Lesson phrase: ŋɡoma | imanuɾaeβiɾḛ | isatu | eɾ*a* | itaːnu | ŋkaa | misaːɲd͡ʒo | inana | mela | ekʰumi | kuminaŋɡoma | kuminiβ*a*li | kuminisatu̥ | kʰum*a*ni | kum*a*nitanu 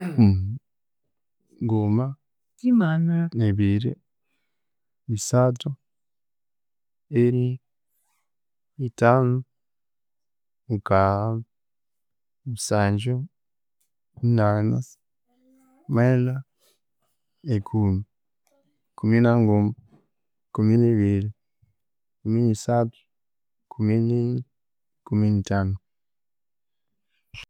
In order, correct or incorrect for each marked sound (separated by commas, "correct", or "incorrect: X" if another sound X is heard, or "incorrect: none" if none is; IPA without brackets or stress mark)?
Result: incorrect: i, incorrect: i, incorrect: i, incorrect: i